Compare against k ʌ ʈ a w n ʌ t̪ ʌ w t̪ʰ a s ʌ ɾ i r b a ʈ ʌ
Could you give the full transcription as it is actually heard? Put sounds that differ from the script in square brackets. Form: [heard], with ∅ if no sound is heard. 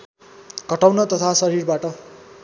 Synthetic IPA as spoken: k ʌ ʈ a w n ʌ t̪ ʌ [∅] t̪ʰ a s ʌ ɾ i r b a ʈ ʌ